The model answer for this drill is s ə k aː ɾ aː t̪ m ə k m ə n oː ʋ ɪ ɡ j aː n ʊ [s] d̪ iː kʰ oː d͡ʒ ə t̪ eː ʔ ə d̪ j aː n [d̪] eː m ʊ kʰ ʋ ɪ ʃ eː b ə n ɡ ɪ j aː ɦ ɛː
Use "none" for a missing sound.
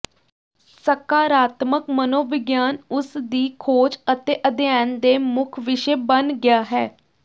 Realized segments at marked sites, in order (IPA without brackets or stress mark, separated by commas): s, d̪